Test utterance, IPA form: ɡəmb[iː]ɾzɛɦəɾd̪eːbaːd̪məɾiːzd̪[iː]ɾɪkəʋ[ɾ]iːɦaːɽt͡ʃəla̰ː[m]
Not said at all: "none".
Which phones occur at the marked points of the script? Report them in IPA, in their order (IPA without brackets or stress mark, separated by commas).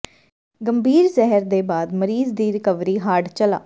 iː, iː, ɾ, none